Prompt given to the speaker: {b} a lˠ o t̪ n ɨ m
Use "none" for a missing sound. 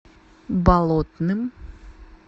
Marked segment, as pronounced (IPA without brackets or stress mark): b